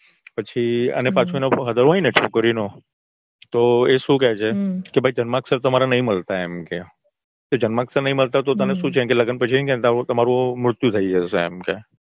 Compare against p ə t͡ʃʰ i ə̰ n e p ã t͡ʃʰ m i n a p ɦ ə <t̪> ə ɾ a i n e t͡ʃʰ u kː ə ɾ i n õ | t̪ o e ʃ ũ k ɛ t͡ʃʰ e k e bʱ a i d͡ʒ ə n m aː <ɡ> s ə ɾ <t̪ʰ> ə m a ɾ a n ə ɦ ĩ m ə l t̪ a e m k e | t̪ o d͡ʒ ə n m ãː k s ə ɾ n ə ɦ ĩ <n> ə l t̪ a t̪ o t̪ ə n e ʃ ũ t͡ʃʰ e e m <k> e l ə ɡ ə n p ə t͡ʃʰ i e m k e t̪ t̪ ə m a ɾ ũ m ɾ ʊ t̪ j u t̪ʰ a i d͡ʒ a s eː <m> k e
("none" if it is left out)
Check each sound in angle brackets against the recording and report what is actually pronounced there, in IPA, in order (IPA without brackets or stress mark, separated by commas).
d̪, k, t̪, m, k, m